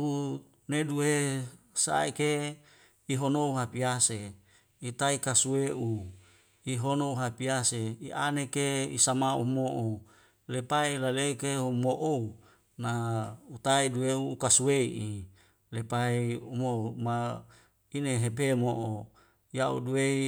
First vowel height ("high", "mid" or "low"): high